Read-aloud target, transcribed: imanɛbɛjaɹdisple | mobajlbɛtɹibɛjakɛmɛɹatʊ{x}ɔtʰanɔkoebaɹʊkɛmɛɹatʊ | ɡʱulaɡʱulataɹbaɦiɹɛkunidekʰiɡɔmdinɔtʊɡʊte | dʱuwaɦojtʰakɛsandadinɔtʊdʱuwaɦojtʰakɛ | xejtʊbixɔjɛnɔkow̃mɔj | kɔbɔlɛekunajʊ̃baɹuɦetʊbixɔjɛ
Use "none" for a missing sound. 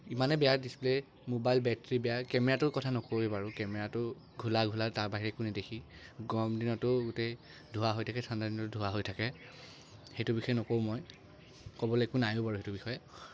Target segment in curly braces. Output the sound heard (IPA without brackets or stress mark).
k